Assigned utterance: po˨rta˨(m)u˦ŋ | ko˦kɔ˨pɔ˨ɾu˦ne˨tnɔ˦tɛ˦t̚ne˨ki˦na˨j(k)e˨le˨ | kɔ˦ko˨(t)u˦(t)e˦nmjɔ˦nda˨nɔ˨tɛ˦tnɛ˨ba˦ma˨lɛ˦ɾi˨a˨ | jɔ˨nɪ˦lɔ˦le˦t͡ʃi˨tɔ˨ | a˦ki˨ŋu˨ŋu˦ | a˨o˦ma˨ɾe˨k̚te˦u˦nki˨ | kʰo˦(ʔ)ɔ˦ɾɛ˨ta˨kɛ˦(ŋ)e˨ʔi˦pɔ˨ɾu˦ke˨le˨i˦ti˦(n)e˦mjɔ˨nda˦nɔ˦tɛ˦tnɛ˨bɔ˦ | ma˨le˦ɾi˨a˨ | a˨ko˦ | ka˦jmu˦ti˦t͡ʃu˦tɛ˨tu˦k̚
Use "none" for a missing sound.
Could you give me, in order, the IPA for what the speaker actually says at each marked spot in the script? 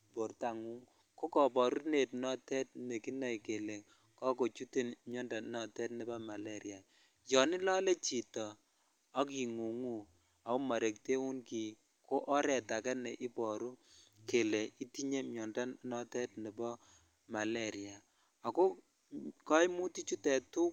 ŋ, k, t͡ʃ, t, ʔ, n, ɲ

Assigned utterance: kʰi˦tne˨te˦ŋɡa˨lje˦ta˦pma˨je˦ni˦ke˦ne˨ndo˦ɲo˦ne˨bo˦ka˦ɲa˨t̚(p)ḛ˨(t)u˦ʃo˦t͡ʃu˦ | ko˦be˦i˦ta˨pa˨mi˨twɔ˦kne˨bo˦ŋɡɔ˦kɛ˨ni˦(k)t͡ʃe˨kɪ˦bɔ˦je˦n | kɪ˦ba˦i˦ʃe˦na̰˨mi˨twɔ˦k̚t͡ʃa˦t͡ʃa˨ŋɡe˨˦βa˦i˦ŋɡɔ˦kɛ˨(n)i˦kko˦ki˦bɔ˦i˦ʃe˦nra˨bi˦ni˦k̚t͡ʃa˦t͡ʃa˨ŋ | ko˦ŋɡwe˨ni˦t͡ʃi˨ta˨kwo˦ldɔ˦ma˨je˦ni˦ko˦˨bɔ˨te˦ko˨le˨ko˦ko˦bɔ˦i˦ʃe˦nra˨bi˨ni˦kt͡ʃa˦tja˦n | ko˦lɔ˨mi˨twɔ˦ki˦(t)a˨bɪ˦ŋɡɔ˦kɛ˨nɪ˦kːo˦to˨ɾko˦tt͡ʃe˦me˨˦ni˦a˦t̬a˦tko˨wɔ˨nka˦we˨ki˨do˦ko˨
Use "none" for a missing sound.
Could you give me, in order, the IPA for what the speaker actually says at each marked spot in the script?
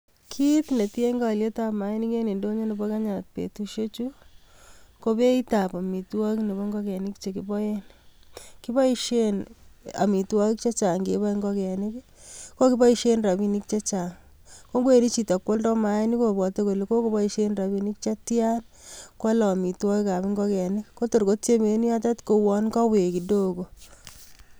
p, t, k, n, k

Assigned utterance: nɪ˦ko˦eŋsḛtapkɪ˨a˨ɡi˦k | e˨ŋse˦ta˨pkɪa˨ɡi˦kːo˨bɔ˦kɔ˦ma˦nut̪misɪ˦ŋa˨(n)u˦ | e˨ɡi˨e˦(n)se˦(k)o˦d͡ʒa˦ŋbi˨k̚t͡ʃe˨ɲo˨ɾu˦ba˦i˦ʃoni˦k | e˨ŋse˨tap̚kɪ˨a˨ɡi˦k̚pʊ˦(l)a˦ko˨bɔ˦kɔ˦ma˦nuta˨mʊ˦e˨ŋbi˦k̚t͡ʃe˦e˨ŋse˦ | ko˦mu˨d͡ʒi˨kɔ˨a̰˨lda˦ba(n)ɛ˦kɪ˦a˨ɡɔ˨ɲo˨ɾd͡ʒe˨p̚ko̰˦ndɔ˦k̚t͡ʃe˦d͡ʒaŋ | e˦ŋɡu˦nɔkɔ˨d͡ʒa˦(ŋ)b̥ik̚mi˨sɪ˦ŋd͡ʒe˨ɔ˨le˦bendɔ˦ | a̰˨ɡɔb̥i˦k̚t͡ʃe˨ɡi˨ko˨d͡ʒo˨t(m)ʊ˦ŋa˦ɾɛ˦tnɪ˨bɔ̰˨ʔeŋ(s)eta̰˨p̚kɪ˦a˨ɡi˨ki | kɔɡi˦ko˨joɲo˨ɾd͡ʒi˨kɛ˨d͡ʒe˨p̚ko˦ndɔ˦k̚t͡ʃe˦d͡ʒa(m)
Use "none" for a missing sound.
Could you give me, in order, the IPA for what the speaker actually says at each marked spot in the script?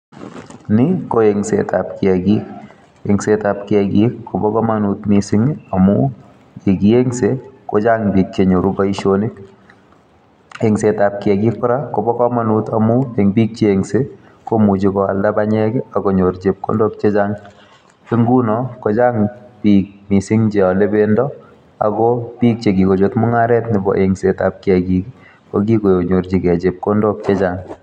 m, ŋ, k, ɾ, ɲ, ŋ, m, s, ŋ

